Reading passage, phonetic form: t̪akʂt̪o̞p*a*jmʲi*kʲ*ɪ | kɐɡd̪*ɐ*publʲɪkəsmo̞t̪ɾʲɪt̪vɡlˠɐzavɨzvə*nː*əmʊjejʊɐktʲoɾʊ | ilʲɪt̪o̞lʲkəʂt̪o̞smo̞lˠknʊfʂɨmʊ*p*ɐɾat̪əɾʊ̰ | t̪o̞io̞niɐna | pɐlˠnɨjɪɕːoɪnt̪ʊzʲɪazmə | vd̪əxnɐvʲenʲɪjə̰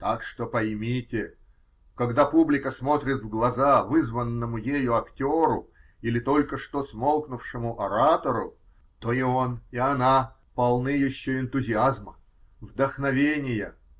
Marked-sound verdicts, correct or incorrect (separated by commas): incorrect, incorrect, incorrect, correct, incorrect